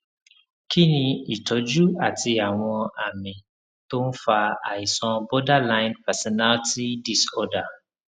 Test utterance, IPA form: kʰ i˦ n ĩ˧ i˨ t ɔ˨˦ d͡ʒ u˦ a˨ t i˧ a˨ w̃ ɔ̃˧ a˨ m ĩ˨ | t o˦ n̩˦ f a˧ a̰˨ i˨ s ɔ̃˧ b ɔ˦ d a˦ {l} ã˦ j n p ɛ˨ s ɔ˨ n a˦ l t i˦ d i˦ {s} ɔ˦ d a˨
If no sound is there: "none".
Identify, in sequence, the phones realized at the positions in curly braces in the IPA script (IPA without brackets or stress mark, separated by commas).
l, s